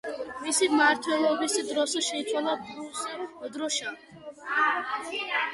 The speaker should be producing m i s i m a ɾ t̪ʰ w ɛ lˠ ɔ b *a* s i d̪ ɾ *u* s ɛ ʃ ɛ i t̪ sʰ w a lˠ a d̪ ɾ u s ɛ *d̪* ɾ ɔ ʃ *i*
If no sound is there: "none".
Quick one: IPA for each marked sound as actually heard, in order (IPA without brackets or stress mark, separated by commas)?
i, ɔ, d̪, a